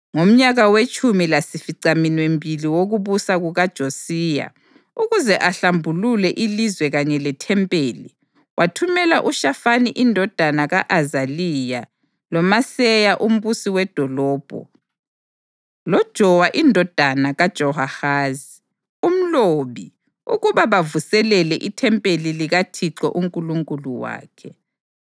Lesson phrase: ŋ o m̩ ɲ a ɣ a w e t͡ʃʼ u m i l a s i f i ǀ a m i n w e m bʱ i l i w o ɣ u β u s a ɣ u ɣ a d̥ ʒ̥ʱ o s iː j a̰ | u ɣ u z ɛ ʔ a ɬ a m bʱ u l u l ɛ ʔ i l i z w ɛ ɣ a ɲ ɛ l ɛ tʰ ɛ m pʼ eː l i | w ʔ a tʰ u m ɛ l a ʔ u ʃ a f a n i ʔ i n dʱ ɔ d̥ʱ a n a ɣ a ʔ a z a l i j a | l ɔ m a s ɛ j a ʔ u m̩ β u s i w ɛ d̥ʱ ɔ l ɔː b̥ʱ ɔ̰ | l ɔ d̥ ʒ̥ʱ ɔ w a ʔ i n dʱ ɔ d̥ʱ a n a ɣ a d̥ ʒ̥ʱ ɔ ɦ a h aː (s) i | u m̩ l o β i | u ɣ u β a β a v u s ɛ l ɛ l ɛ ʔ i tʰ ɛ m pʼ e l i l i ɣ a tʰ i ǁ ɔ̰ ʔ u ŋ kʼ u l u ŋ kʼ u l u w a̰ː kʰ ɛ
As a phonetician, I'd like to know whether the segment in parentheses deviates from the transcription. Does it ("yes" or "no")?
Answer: yes